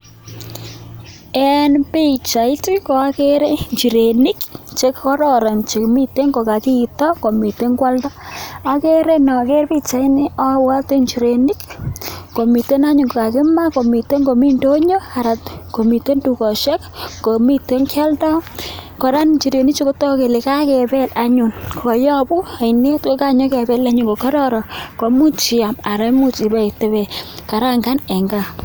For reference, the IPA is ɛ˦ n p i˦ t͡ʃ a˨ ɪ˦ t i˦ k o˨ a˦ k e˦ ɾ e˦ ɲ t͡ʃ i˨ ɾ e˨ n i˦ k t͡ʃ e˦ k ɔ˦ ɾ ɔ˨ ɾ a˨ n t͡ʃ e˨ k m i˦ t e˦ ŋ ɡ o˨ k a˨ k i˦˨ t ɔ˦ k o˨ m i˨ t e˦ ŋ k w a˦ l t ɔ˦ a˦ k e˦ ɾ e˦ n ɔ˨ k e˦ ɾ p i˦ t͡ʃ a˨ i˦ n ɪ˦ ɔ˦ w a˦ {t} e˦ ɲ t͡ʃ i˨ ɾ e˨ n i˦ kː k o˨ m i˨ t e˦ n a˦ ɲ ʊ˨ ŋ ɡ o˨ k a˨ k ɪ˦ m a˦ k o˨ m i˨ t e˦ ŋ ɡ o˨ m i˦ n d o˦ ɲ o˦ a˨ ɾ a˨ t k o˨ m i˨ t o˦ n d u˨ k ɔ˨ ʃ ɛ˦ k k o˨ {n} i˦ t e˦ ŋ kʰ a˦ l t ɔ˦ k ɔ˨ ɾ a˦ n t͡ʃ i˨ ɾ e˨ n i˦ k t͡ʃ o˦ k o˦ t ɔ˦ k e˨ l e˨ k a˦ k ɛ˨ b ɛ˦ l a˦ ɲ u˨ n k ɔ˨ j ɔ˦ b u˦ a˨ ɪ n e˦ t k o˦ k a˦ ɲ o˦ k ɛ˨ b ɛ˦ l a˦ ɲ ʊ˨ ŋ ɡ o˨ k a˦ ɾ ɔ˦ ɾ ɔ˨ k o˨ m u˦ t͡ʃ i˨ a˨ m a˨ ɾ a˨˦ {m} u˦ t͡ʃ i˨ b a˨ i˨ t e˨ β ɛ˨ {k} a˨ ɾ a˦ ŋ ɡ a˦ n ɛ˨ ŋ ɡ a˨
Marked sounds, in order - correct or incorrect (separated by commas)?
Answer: correct, incorrect, correct, correct